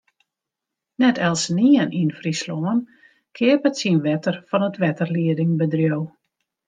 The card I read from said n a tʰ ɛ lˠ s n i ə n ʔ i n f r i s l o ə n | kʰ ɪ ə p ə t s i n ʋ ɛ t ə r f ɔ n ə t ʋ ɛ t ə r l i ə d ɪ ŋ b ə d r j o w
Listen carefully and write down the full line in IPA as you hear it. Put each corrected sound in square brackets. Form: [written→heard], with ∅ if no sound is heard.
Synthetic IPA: n [a→ɛ] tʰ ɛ lˠ s n i ə n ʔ i n f r i s l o ə n | kʰ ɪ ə p ə t s i n ʋ ɛ t ə r f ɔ n ə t ʋ ɛ t ə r l i ə d ɪ ŋ b ə d r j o w